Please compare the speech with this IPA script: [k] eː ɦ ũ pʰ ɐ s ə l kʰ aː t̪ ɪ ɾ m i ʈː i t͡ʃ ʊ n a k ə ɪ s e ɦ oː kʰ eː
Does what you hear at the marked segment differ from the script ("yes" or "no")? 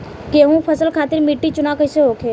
no